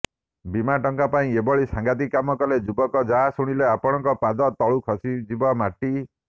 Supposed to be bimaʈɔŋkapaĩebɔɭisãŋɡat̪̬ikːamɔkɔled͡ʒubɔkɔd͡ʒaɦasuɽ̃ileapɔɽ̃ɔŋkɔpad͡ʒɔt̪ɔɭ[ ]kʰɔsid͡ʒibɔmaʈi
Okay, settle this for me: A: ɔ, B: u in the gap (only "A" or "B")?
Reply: B